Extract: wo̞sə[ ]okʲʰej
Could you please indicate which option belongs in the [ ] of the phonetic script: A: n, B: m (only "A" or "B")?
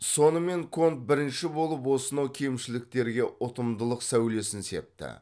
A